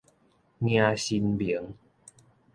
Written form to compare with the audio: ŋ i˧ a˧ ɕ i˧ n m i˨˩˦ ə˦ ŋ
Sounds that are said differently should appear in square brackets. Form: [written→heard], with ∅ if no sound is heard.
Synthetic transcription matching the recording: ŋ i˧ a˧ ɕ i˧ n [m→b] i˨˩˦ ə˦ ŋ